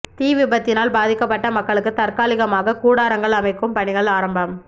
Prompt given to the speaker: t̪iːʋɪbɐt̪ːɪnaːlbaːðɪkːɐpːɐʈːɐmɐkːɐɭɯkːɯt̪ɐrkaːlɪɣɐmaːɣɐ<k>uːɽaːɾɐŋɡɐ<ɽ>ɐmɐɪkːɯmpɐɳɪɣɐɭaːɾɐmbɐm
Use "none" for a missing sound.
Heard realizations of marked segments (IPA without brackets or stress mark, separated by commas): k, ɭ